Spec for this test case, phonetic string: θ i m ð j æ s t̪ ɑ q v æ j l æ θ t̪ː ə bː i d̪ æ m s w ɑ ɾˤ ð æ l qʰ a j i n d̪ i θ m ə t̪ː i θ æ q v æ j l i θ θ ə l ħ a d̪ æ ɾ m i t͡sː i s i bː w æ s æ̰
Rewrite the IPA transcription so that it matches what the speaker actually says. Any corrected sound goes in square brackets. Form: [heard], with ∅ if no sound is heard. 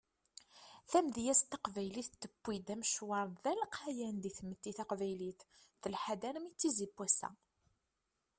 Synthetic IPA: θ [æ] m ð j æ s t̪ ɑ q v æ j l [i] θ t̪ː ə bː i d̪ æ m [ʃ] w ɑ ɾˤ ð æ l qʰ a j [æ] n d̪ i θ m ə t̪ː i θ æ q v æ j l i θ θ ə l ħ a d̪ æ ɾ m i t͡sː i [z] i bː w æ s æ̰